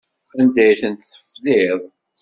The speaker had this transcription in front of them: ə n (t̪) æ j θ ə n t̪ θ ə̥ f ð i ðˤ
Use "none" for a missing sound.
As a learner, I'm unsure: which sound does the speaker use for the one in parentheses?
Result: d̪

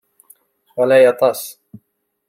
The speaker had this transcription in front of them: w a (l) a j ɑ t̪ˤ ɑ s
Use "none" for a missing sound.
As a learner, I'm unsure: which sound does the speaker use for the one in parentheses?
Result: l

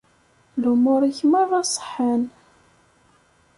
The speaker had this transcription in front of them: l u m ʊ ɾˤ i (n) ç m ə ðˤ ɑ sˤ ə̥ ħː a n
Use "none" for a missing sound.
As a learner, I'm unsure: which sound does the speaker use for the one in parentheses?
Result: none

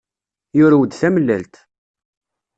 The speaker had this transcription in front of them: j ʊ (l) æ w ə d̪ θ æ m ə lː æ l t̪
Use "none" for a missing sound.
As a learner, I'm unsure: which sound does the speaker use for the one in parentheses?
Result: ɾ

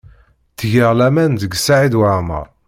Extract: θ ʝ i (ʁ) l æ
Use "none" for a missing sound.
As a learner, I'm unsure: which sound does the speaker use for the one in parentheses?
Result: ʁ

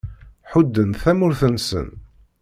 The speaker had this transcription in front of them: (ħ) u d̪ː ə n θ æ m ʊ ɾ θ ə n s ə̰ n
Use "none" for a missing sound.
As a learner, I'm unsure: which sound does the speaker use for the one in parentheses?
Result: ħ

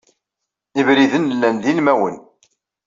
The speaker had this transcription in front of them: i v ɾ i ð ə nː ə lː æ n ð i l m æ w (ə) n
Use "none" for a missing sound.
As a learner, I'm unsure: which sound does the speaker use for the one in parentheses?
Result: ə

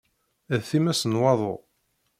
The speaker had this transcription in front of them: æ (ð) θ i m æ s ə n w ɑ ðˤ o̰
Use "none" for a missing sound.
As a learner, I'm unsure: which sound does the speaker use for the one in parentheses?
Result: ð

